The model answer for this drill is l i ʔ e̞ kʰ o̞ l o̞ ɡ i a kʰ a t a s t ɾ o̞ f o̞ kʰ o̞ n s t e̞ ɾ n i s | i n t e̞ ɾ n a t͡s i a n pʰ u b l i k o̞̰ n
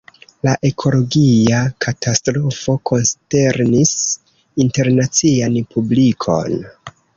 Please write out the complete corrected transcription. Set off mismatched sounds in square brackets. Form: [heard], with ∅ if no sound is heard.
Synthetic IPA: l [a] ʔ e̞ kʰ o̞ l o̞ ɡ i a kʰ a t a s t ɾ o̞ f o̞ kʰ o̞ n s t e̞ ɾ n i s | i n t e̞ ɾ n a t͡s i a n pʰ u b l i [kʰ] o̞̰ n

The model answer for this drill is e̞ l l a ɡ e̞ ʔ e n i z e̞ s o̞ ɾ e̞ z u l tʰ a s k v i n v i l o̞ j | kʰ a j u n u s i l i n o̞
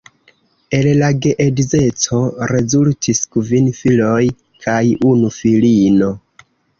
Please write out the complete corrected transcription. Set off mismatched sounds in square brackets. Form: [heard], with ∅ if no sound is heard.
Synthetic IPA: e̞ l l a ɡ e̞ ʔ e [d] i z e̞ [t͡s] o̞ ɾ e̞ z u l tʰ [i] s k v i n [f] i l o̞ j | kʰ a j u n u [f] i l i n o̞

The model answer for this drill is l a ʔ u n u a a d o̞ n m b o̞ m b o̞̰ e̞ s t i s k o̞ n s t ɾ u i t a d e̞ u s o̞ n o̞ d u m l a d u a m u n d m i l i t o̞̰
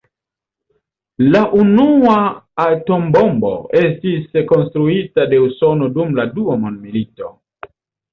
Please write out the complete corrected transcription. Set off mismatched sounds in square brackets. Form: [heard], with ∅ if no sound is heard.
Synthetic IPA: l a ʔ u n u a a [t] o̞ [∅] m b o̞ m b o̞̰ e̞ s t i s k o̞ n s t ɾ u i t a d e̞ u s o̞ n o̞ d u m l a d u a m [o] n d m i l i t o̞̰

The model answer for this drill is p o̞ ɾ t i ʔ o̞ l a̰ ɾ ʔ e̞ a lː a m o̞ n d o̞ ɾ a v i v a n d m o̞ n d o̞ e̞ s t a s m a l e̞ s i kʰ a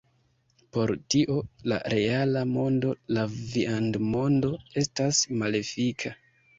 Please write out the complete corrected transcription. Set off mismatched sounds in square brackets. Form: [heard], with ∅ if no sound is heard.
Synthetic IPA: p o̞ ɾ t i ʔ o̞ l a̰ ɾ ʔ e̞ a [l] a m o̞ n d o̞ [l] a v i [∅] a n d m o̞ n d o̞ e̞ s t a s m a l e̞ [f] i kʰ a

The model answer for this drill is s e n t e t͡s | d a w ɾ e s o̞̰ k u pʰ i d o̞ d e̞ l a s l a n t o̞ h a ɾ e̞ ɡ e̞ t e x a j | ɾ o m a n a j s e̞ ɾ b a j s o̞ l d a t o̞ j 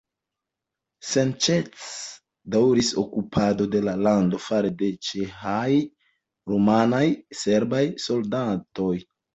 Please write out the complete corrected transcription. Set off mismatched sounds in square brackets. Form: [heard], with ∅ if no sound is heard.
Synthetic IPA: s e n [t͡ʃ] e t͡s | d a w ɾ [i] s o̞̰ k u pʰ [a] d o̞ d e̞ l a [∅] l a n [d] o̞ [f] a ɾ e̞ [d] e̞ [t͡ʃ] e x a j | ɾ o m a n a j s e̞ ɾ b a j s o̞ l d a t o̞ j

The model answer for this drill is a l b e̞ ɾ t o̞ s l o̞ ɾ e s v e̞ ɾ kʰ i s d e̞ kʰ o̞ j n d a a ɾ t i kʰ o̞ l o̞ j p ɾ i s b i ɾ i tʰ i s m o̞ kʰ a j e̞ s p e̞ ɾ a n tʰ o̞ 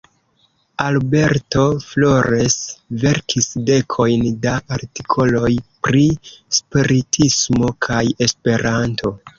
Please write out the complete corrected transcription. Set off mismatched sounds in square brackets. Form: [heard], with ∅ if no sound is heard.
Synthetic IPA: a l b e̞ ɾ t o̞ [f] l o̞ ɾ e s v e̞ ɾ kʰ i s d e̞ kʰ o̞ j n d a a ɾ t i kʰ o̞ l o̞ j p ɾ i s [p] i ɾ i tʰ i s m o̞ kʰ a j e̞ s p e̞ ɾ a n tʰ o̞

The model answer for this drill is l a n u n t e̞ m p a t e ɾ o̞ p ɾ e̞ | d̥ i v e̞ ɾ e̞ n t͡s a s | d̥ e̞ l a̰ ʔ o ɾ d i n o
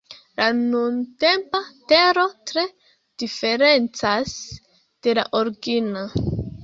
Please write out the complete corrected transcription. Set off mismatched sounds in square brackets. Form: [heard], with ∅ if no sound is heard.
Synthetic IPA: l a n u n t e̞ m p a t e ɾ o̞ [t] ɾ e̞ | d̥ i [f] e̞ ɾ e̞ n t͡s a s | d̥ e̞ l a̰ ʔ o ɾ [ɡ] i n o

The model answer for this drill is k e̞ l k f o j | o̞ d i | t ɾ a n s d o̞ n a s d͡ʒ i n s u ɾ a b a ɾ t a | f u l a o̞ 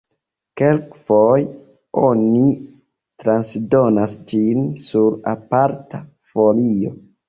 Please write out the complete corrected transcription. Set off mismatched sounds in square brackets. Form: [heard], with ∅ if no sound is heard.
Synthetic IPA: k e̞ l k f o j | o̞ [n] i | t ɾ a n s d o̞ n a s d͡ʒ i n s u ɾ a [p] a ɾ t a | f [o] l [i] o̞

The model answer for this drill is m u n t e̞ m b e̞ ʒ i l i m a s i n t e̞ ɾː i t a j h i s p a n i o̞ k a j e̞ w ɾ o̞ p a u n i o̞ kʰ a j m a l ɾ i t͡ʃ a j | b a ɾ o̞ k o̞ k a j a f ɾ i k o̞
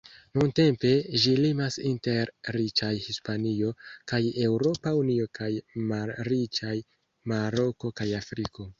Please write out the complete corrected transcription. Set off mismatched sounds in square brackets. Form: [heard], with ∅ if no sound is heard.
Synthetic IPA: [n] u n t e̞ m [p] e̞ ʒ i l i m a s i n t e̞ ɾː i [t͡ʃ] a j h i s p a n i o̞ k a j e̞ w ɾ o̞ p a u n i o̞ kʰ a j m a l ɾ i t͡ʃ a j | [m] a ɾ o̞ k o̞ k a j a f ɾ i k o̞

